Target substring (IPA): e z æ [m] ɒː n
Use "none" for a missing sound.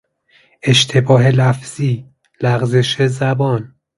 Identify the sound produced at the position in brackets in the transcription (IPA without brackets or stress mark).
b